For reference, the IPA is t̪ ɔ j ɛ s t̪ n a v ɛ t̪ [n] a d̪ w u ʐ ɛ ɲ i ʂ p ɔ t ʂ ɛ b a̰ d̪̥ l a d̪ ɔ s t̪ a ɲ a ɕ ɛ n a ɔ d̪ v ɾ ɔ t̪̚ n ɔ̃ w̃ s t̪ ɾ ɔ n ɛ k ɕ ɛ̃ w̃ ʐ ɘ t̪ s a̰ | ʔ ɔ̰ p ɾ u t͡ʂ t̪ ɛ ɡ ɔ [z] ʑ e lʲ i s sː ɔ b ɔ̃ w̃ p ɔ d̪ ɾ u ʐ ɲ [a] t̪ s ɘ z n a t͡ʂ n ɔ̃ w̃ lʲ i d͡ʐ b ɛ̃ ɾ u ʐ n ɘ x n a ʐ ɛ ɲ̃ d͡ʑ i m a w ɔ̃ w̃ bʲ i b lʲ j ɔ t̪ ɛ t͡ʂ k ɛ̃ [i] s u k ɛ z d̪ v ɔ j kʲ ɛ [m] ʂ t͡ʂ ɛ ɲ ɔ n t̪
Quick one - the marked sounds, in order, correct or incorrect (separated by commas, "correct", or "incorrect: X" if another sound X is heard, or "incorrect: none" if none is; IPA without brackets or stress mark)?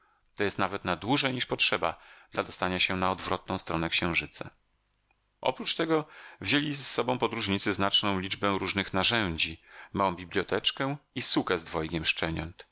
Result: correct, incorrect: v, incorrect: i, correct, correct